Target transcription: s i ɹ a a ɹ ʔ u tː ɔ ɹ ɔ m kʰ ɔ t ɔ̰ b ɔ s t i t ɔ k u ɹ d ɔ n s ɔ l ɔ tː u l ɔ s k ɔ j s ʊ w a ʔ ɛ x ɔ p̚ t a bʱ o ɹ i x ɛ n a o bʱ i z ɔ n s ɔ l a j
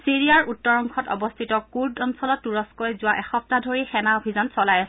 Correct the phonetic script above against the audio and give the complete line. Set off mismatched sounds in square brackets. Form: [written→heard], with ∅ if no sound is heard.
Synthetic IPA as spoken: s i ɹ [a→i] a ɹ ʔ u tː ɔ ɹ ɔ [m→ŋ] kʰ ɔ t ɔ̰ b ɔ s [t→tʰ] i t ɔ k u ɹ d ɔ n s ɔ l ɔ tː u [l→ɹ] ɔ s k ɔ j [s→z] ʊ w a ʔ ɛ x ɔ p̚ t a [bʱ→dʱ] o ɹ i x ɛ n a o bʱ i z ɔ n s ɔ l a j

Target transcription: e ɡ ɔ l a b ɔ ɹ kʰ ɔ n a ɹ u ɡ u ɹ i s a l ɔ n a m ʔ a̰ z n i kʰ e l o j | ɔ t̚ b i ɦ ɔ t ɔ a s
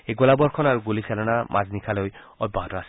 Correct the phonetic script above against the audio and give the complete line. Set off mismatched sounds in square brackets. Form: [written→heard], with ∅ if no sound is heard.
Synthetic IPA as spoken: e ɡ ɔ l a b ɔ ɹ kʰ ɔ n a ɹ u ɡ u [ɹ→l] i s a l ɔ n a m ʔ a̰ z n i kʰ [e→a] l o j | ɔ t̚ b [i→a] ɦ ɔ t ɔ a s

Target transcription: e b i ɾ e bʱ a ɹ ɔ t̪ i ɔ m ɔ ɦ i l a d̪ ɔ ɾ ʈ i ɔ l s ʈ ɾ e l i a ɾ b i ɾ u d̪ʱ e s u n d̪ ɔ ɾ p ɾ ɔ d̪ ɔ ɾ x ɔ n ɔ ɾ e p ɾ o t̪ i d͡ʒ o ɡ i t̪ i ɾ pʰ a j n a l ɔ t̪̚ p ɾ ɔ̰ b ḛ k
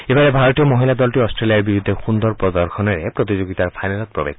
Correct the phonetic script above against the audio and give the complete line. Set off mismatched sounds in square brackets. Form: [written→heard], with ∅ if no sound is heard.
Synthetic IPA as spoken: e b [i→a] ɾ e bʱ a [ɹ→ɾ] ɔ t̪ i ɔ m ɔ ɦ i l a d̪ ɔ [ɾ→l] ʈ i ɔ [l→∅] s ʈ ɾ e l i a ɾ b i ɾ u d̪ʱ e [s→x] u n d̪ ɔ ɾ p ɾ ɔ d̪ ɔ ɾ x ɔ n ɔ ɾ e p ɾ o t̪ i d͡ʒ o ɡ i t̪ [i→a] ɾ pʰ a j n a l ɔ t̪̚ p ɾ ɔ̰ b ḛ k

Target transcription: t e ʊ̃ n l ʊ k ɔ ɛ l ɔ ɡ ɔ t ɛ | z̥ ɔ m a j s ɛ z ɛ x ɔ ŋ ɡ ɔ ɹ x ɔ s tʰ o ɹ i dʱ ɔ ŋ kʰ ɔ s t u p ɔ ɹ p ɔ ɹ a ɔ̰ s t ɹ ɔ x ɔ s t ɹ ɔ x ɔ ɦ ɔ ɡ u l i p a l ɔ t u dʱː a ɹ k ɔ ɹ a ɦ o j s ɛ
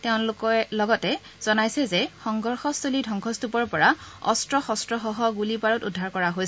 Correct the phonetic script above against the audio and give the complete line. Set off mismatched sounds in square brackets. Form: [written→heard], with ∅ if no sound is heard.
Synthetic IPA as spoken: t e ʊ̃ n l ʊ k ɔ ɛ l ɔ ɡ ɔ t ɛ | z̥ ɔ [m→n] a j s ɛ z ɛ x ɔ ŋ ɡ ɔ ɹ x ɔ s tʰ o [ɹ→l] i dʱ ɔ ŋ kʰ ɔ s t u p ɔ ɹ p ɔ ɹ a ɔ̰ s t ɹ ɔ x ɔ s t ɹ ɔ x ɔ ɦ ɔ ɡ u l i p a [l→ɹ] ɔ t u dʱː a ɹ k ɔ ɹ a ɦ o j s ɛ

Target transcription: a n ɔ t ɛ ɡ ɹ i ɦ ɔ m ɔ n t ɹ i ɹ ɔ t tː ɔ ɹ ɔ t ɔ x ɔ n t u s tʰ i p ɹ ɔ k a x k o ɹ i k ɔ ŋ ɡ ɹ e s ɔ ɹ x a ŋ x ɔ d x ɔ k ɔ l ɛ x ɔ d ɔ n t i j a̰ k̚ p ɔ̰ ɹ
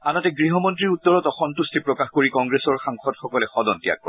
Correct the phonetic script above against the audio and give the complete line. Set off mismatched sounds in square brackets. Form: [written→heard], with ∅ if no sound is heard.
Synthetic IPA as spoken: a n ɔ t ɛ ɡ ɹ i ɦ ɔ m ɔ n t ɹ i ɹ [ɔ→u] t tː ɔ ɹ ɔ t ɔ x ɔ n t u s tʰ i p ɹ ɔ k a x k o ɹ i k ɔ ŋ ɡ ɹ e s ɔ ɹ x a ŋ x ɔ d x ɔ k ɔ l ɛ x ɔ d ɔ n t i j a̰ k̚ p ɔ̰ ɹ

